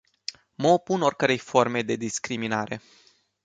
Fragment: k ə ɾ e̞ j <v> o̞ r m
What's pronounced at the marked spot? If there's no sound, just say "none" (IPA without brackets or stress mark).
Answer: f